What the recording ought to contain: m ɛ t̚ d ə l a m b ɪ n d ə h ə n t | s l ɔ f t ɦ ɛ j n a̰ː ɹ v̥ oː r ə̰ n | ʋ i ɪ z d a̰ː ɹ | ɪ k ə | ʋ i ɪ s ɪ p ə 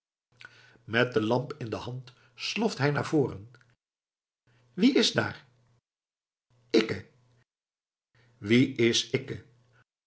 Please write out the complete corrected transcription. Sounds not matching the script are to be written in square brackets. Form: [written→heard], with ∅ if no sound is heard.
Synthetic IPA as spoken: m ɛ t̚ d ə l [a→ɑ] m [b→p] ɪ n d ə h [ə→ɑ] n t | s l ɔ f t ɦ ɛ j n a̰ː ɹ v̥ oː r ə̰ n | ʋ i ɪ z d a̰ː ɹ | ɪ k ə | ʋ i ɪ s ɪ [p→k] ə